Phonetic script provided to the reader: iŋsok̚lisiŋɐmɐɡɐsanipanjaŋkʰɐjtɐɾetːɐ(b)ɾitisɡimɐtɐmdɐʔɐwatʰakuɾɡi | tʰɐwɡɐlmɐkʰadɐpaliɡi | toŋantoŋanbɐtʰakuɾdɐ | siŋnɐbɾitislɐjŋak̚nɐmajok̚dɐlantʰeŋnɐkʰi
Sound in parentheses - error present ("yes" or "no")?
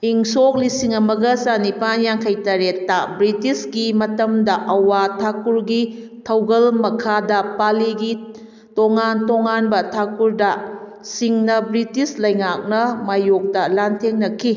no